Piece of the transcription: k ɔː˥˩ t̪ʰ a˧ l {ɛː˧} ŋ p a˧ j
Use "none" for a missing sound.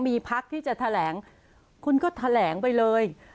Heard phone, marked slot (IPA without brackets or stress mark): ɛː˩˦